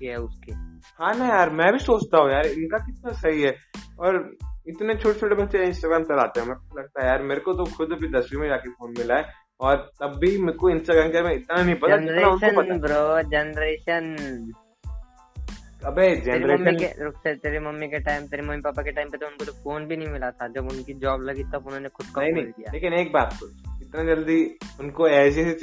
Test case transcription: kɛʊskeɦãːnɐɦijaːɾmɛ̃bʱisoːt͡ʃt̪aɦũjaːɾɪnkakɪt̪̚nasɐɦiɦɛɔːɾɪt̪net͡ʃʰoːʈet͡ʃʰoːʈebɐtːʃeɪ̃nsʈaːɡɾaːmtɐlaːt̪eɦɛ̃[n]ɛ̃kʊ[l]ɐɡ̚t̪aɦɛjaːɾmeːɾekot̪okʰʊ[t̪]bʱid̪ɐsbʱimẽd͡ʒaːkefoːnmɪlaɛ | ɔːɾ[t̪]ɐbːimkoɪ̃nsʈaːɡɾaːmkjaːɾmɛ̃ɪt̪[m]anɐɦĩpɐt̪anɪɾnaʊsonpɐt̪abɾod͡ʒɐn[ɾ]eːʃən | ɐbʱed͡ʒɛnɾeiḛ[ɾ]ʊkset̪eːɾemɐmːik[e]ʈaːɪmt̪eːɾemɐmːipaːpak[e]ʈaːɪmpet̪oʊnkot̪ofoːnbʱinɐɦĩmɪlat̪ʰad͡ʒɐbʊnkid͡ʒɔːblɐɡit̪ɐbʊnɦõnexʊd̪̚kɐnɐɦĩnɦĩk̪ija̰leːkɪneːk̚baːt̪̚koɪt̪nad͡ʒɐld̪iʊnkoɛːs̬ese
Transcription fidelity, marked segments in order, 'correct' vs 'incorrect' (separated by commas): incorrect, correct, incorrect, correct, incorrect, correct, correct, correct, correct